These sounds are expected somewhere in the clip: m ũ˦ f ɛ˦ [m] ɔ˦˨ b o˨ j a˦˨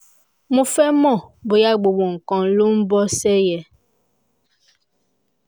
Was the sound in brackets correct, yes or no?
yes